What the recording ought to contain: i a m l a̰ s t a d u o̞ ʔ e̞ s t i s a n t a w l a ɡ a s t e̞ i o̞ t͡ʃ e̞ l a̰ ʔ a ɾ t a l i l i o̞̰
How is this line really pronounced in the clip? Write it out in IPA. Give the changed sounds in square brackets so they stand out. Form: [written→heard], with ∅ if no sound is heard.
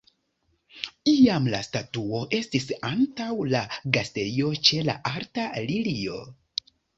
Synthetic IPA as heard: i a m l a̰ s t a [d→t] u o̞ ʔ e̞ s t i s a n t a w l a ɡ a s t e̞ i o̞ t͡ʃ e̞ l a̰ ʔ a ɾ t a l i l i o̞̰